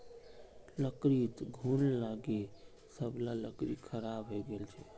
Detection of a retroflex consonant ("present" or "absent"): absent